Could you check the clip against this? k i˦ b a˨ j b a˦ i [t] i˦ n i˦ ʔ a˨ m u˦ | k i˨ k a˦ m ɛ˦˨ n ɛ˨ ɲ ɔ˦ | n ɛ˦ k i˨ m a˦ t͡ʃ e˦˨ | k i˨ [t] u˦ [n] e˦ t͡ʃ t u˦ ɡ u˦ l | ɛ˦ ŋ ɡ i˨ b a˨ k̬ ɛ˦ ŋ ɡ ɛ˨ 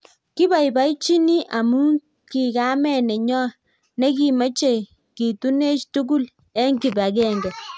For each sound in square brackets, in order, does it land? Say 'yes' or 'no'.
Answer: no, yes, yes

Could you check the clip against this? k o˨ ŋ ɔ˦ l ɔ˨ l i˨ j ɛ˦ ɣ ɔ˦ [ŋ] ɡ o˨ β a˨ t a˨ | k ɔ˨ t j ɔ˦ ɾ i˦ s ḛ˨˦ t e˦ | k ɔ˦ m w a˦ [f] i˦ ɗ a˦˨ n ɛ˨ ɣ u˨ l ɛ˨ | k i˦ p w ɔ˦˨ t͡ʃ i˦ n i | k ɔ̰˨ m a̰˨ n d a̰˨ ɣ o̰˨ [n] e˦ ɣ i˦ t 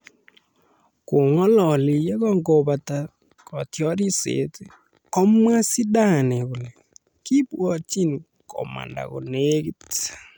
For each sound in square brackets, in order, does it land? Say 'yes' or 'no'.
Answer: yes, no, yes

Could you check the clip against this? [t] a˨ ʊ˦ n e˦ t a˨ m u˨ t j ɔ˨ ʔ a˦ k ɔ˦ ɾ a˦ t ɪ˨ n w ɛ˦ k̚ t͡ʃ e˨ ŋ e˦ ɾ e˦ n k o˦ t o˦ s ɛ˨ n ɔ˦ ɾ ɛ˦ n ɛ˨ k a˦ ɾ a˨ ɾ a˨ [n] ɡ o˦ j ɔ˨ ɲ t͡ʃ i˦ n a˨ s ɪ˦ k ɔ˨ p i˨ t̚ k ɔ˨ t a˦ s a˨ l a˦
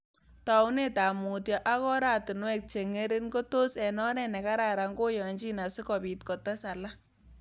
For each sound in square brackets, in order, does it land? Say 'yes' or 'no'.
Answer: yes, no

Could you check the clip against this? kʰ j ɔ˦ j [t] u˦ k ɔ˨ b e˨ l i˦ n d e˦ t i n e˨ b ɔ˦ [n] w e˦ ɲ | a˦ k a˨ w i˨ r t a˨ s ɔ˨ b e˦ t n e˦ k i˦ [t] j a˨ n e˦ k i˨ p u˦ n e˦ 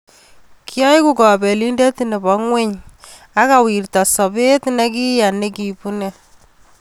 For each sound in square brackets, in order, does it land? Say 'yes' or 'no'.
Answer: no, no, no

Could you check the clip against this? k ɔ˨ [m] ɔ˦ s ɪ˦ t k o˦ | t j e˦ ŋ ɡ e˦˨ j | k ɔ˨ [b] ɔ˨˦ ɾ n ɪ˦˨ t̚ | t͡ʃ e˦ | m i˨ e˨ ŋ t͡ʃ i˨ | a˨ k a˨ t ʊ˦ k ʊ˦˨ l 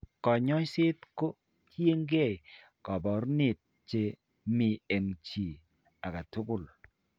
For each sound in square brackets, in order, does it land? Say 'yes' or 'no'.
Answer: no, yes

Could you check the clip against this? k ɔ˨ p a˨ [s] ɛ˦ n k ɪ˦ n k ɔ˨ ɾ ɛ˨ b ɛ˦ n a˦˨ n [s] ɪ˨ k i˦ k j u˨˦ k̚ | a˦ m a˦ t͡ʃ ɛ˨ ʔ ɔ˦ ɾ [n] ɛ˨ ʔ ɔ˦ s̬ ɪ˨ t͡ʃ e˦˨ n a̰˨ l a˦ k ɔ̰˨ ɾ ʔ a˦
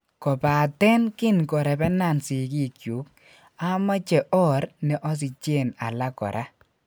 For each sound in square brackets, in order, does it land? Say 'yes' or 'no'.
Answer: no, yes, yes

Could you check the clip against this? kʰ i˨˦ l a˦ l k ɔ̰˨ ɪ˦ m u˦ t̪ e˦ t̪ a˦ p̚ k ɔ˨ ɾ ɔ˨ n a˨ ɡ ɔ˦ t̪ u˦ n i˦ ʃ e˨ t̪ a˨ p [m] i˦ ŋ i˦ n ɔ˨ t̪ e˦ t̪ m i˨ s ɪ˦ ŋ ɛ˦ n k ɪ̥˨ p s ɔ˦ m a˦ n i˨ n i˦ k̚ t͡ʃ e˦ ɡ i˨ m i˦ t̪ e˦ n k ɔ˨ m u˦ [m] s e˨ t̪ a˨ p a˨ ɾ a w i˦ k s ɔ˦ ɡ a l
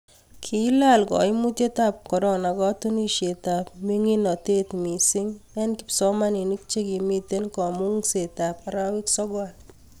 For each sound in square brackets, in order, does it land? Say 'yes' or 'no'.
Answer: yes, no

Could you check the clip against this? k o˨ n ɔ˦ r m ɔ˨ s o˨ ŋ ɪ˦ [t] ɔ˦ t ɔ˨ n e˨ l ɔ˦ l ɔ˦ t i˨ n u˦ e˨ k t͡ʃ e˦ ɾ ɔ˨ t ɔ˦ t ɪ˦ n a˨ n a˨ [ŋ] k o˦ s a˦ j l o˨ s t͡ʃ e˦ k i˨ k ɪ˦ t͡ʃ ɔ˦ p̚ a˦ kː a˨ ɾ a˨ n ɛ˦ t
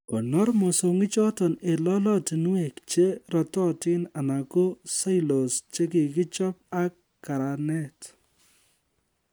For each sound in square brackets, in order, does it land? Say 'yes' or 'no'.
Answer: no, no

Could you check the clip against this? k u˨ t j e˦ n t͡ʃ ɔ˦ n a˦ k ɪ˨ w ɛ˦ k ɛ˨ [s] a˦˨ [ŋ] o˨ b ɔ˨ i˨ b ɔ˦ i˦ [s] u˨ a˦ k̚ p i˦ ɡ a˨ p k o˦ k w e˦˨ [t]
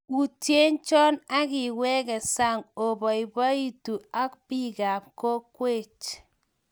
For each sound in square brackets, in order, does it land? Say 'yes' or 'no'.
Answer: yes, yes, no, no

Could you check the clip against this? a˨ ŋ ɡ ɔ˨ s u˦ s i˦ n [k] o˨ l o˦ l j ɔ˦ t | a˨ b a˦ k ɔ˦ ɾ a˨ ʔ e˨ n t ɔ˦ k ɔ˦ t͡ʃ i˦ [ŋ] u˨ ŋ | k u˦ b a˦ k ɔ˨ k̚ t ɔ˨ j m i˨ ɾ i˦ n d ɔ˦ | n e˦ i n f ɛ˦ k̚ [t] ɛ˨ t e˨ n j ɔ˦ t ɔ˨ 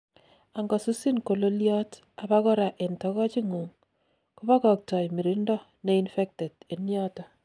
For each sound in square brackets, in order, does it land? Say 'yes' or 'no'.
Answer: yes, yes, yes

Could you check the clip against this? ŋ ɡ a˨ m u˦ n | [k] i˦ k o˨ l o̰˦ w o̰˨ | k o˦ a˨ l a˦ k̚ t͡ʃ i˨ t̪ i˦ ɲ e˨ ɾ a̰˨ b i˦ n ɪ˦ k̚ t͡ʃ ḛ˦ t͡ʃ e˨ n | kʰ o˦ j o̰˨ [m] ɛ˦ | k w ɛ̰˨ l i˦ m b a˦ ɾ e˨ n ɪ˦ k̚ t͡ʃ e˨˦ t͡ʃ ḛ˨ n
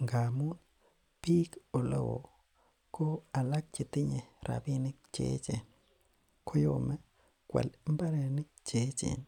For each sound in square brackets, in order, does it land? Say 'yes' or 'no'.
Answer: no, yes

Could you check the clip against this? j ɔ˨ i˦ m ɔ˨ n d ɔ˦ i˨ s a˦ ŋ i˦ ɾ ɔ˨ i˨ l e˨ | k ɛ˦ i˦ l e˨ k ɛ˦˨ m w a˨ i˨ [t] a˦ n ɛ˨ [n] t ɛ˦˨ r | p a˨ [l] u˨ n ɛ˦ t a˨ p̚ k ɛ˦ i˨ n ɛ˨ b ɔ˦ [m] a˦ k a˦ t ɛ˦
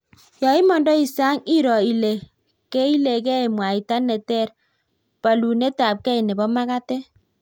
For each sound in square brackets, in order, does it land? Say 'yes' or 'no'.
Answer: yes, no, yes, yes

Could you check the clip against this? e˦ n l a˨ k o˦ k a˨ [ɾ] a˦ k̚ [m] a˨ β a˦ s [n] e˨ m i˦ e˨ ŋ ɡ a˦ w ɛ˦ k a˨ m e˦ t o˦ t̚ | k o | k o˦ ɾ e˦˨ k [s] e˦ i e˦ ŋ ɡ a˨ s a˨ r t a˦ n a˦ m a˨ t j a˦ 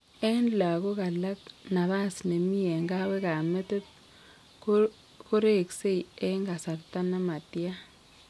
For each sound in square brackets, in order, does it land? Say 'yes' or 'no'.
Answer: no, no, yes, yes

